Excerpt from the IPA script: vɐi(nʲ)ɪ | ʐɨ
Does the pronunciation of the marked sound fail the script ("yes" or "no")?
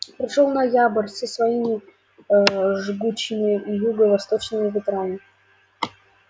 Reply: yes